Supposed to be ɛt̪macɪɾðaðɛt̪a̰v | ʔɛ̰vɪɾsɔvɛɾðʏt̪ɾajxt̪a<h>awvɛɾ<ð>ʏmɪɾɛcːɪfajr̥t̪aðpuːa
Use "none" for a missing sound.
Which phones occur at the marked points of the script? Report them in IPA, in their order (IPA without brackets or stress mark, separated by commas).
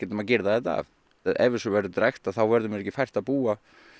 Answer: θ, ð